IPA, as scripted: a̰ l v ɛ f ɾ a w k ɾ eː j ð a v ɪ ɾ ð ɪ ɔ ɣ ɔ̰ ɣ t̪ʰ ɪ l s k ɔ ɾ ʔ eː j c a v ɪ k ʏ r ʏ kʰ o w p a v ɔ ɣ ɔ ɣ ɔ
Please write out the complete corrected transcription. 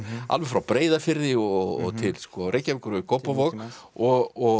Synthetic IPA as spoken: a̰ l v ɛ f ɾ a w p ɾ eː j ð a f ɪ ɾ ð ɪ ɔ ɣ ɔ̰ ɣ t̪ʰ ɪ l s k ɔ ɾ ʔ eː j c a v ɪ k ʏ ɾ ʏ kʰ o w p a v ɔ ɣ ɔ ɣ ɔ